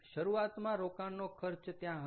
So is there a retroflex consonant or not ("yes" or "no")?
no